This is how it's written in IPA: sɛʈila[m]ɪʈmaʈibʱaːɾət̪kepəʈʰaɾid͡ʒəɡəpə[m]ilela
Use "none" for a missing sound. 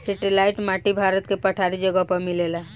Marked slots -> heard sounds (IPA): none, m

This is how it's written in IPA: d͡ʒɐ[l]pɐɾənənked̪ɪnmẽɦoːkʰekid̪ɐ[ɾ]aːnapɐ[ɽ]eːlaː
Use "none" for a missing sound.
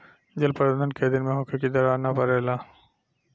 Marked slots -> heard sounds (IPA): l, ɾ, ɾ

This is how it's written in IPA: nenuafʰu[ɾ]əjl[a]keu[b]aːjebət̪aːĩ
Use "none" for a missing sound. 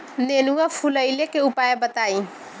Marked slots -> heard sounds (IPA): l, e, p

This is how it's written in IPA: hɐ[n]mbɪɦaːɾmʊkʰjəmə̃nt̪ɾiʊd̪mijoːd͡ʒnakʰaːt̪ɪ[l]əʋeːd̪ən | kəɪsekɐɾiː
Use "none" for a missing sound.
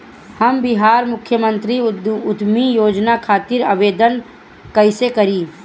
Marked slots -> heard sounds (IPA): none, ɾ

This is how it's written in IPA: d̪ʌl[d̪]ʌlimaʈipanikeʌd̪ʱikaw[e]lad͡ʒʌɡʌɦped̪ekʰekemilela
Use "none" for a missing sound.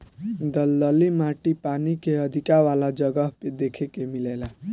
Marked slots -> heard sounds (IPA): d̪, a

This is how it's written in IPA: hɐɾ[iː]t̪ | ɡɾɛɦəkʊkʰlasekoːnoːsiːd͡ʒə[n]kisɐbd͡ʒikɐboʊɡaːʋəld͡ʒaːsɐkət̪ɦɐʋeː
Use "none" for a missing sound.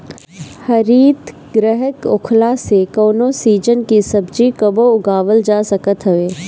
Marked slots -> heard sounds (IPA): iː, n

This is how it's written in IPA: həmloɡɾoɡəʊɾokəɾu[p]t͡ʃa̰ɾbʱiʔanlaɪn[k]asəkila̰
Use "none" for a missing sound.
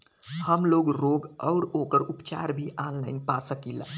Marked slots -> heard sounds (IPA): p, p

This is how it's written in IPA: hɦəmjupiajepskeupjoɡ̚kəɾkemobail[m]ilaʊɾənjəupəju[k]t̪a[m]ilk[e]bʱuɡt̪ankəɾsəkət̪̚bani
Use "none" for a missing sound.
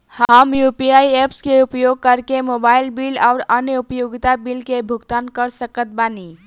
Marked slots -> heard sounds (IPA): b, ɡ, b, e

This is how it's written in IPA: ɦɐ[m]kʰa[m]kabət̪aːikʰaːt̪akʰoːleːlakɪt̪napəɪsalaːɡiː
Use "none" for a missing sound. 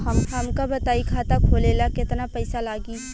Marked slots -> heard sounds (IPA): m, m

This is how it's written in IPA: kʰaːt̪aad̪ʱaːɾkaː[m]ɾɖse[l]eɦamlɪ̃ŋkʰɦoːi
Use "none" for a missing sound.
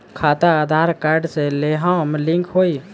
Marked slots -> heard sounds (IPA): none, l

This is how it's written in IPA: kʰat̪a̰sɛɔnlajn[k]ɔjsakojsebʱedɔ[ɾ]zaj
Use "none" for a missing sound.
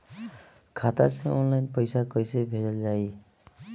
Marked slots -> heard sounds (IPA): p, l

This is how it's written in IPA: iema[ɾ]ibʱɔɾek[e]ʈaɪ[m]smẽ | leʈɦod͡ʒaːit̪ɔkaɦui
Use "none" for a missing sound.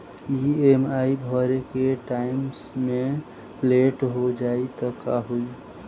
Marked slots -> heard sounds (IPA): none, e, m

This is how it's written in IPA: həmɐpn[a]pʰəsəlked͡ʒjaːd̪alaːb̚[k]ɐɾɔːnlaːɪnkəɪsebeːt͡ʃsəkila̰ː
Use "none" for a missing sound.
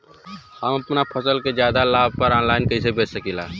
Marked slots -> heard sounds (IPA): a, p

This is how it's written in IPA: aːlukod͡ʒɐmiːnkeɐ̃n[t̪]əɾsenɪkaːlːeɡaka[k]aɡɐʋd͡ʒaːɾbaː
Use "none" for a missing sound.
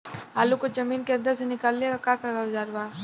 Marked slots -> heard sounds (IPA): d̪, k

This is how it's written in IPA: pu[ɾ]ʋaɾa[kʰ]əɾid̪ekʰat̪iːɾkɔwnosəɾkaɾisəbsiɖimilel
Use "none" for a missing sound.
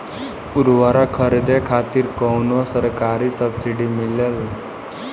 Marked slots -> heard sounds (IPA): ɾ, kʰ

